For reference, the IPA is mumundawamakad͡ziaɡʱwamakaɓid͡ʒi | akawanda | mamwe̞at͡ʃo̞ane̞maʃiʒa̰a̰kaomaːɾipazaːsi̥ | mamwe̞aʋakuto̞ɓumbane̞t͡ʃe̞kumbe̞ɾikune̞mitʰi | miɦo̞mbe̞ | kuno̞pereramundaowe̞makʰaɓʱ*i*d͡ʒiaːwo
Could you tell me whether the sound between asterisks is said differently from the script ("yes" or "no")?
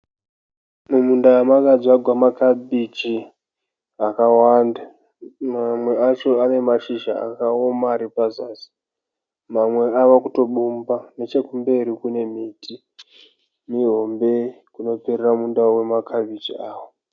no